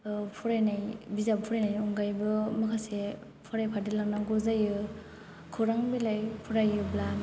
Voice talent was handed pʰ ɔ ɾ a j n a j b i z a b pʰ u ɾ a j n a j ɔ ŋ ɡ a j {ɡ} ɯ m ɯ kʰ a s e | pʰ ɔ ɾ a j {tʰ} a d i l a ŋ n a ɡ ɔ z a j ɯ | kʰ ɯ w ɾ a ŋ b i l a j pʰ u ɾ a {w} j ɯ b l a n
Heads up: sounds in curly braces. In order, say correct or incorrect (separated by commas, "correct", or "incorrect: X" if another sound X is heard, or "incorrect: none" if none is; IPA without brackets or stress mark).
incorrect: b, incorrect: pʰ, incorrect: none